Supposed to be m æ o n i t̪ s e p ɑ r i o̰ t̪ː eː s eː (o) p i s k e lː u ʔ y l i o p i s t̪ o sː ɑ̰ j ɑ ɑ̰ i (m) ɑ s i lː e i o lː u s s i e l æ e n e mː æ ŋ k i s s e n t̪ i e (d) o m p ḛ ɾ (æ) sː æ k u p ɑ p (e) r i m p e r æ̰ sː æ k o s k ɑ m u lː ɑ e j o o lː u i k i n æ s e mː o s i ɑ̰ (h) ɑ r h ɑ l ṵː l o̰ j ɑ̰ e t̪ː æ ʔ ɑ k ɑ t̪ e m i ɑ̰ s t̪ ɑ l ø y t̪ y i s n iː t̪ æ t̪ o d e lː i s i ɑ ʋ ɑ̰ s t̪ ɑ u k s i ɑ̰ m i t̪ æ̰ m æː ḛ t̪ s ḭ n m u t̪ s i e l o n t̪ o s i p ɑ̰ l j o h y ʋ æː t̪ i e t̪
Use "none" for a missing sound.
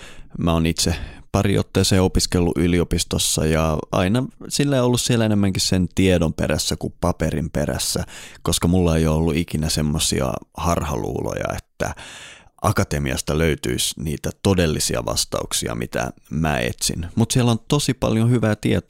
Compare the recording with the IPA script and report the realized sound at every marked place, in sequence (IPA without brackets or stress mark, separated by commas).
o, n, d, æ, e, h